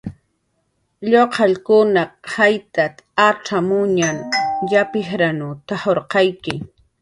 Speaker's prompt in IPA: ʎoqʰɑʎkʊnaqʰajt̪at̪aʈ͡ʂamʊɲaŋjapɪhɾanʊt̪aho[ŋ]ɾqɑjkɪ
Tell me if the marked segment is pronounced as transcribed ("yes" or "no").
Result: no